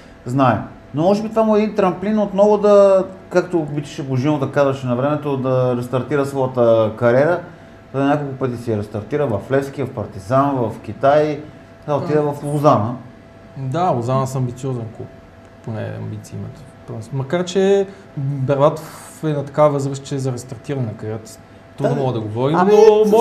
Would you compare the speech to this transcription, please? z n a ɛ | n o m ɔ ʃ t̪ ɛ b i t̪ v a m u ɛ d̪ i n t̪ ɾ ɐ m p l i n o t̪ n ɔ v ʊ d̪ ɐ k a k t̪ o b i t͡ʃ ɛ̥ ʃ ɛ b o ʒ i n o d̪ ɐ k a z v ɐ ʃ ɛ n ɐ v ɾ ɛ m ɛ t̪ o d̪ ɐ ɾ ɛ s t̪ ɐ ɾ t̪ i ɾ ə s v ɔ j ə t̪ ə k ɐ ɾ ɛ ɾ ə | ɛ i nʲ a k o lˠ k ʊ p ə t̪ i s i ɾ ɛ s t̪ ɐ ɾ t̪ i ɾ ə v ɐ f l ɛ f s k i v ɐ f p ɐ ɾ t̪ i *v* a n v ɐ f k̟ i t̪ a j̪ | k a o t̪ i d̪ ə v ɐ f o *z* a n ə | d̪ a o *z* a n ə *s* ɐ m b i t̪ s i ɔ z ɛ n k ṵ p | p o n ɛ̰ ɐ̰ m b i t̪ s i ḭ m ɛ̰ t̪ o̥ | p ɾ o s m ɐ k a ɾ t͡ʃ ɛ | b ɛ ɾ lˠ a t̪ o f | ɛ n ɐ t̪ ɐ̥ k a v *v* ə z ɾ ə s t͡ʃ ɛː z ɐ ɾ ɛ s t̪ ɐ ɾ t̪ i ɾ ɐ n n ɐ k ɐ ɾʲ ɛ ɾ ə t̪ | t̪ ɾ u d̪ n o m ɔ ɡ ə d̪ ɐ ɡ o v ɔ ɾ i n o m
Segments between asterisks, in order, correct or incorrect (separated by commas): incorrect, correct, correct, correct, correct